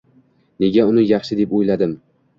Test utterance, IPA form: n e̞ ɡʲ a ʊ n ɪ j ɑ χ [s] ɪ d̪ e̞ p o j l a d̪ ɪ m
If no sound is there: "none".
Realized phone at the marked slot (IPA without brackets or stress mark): ʃ